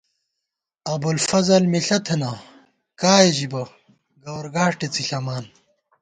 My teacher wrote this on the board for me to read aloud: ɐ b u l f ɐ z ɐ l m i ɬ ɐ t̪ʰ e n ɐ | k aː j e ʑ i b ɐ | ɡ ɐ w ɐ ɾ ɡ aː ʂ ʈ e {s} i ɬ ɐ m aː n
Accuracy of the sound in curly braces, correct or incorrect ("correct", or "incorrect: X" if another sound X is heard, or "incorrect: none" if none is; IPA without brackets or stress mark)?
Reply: incorrect: t͡s